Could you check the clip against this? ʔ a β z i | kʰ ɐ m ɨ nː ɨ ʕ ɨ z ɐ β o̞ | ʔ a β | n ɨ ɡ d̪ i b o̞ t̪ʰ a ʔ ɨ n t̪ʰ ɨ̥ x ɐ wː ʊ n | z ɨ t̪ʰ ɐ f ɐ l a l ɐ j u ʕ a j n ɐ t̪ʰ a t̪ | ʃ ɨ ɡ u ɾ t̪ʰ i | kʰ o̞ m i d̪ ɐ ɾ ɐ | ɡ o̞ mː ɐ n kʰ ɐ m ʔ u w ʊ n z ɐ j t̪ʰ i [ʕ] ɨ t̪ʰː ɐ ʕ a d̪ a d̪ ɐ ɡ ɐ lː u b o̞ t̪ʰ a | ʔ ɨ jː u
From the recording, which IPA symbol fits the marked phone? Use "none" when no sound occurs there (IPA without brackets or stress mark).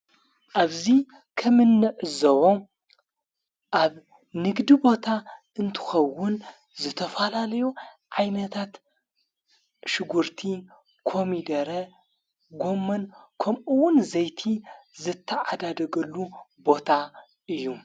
z